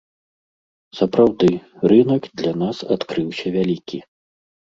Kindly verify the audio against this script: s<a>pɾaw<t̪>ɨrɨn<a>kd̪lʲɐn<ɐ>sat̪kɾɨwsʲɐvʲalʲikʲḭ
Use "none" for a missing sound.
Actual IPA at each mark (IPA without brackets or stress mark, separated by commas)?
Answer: ɐ, d̪, ɐ, a